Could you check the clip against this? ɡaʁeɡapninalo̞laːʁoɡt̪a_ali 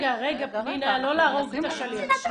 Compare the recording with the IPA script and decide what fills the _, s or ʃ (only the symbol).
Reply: ʃ